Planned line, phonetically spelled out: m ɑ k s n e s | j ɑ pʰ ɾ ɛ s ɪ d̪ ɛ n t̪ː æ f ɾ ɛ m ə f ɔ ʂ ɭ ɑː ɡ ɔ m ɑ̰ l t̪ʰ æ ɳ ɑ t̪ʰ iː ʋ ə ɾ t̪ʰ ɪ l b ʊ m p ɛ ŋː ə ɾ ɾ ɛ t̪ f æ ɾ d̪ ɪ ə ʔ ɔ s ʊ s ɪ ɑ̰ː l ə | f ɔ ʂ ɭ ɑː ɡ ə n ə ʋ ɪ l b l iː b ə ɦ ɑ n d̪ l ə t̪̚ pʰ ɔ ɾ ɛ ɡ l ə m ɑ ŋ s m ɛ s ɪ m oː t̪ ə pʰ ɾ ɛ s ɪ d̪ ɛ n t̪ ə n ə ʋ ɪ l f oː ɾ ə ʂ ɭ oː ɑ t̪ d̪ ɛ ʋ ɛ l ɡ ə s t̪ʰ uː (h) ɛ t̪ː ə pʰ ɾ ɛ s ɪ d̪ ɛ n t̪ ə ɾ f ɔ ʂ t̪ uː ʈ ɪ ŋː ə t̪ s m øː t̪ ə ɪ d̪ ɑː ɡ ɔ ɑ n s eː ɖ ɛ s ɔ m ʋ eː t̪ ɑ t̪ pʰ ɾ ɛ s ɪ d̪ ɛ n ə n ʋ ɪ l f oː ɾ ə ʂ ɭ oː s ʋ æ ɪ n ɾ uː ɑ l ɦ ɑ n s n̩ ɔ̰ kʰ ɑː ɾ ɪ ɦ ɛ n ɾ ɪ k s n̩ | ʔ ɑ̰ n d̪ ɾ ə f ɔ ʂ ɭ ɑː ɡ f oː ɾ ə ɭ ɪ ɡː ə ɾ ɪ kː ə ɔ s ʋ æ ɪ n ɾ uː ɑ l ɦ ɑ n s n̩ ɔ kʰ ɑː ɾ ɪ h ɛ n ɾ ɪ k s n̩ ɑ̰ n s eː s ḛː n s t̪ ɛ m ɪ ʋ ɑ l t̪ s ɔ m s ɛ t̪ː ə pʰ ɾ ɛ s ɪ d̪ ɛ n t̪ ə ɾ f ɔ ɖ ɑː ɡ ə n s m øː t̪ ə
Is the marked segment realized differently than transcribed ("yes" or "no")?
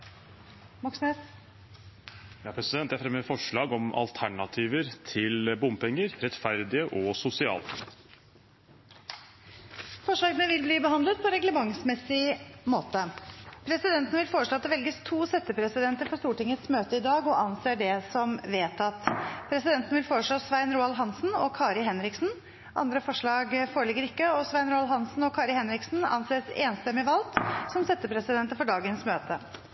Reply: yes